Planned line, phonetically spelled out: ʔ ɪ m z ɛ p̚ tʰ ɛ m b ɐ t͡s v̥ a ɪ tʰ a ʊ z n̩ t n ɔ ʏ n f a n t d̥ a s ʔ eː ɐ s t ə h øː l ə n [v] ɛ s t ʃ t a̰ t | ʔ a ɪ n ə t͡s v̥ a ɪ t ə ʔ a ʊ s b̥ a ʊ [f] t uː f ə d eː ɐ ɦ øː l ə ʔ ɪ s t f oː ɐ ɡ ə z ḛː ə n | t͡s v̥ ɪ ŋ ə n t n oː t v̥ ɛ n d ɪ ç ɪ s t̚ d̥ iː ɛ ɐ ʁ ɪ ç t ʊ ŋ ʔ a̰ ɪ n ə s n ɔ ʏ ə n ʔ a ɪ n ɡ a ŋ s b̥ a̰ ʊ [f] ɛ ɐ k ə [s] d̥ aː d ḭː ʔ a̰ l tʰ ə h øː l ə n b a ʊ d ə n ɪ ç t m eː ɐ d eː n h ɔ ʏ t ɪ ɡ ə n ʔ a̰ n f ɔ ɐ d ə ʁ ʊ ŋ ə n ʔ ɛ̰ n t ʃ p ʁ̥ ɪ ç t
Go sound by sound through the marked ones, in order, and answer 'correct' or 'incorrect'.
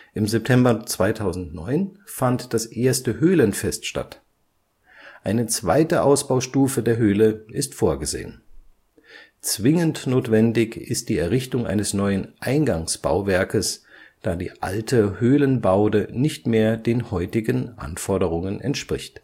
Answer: incorrect, incorrect, incorrect, correct

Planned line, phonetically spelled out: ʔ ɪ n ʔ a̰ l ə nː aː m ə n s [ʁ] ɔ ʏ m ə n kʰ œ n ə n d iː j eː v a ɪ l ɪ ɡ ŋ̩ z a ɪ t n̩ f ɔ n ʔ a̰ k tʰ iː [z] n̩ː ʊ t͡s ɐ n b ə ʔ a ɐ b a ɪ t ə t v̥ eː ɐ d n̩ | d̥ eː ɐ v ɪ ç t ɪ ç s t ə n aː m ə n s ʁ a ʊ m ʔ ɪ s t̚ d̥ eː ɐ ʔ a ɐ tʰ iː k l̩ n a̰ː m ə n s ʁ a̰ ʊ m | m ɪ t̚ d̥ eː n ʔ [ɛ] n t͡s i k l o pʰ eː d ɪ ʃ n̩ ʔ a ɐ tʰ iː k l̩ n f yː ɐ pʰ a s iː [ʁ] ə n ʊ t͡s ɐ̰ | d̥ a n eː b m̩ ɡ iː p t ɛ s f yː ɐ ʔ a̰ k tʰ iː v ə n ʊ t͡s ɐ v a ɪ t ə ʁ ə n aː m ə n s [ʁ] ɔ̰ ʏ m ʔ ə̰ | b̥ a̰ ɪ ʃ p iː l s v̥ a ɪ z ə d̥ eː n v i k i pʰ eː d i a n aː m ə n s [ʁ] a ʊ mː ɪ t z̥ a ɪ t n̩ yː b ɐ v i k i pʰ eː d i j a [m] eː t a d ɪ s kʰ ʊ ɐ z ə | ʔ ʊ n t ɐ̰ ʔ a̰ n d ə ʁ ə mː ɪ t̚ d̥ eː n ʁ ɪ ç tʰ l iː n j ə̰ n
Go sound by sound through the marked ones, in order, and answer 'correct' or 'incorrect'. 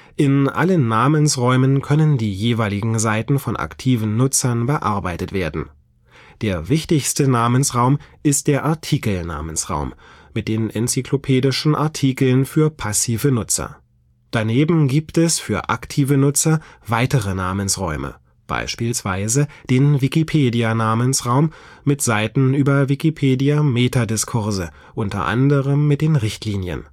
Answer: correct, incorrect, correct, incorrect, correct, correct, correct

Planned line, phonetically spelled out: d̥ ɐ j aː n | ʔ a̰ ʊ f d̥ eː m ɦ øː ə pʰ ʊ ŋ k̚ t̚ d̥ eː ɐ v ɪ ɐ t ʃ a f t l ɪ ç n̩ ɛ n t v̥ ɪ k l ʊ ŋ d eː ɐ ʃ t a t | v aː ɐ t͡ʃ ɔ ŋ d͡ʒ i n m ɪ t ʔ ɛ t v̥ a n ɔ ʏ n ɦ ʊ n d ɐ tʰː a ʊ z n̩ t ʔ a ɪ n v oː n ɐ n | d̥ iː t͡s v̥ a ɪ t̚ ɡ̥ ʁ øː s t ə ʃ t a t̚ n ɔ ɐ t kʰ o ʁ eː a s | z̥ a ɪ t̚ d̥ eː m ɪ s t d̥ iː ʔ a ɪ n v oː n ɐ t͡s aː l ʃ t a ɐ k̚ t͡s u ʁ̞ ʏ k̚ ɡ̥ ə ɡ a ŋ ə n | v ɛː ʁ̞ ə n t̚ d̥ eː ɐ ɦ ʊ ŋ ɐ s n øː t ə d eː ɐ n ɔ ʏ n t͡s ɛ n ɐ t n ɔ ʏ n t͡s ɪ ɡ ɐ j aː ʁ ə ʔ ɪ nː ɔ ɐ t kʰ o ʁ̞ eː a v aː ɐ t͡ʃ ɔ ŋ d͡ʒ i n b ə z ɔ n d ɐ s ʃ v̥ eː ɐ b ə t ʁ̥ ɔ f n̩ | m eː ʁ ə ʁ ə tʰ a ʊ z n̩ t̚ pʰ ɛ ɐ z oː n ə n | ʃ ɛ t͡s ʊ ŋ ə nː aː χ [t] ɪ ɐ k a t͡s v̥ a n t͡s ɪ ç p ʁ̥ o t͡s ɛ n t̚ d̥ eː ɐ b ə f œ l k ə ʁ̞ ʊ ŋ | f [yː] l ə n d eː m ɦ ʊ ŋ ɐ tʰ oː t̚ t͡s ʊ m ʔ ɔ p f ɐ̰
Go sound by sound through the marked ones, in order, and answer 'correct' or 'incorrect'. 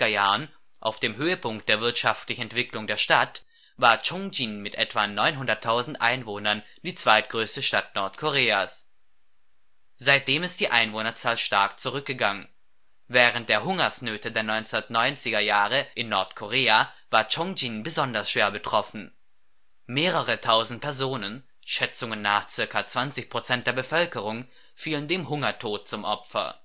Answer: incorrect, incorrect

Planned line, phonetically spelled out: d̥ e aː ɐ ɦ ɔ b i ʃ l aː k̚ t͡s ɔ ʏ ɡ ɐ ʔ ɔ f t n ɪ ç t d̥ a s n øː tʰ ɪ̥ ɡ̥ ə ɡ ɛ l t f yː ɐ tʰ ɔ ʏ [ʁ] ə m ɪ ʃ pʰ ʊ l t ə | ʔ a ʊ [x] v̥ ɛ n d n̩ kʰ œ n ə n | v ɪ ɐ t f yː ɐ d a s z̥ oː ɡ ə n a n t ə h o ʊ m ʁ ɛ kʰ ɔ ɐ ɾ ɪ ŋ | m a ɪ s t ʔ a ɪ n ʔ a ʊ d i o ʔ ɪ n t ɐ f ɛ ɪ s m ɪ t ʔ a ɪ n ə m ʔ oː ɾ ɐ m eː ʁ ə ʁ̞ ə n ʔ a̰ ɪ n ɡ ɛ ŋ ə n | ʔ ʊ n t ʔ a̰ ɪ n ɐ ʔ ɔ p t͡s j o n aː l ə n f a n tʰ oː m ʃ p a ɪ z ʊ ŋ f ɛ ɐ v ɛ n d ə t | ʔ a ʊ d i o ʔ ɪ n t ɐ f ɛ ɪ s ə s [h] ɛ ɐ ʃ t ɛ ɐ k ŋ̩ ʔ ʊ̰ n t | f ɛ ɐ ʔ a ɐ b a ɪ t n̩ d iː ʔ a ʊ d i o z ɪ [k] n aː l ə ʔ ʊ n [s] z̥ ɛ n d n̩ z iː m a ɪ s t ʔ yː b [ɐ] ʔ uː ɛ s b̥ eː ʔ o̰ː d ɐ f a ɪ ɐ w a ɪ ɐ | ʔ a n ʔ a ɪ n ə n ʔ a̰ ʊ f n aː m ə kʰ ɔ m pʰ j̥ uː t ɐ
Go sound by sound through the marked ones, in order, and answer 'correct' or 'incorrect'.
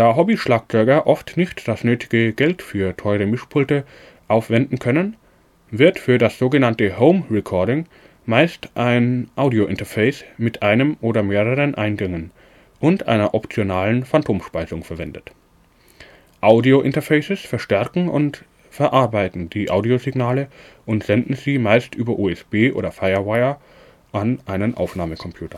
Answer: correct, incorrect, incorrect, incorrect, incorrect, correct

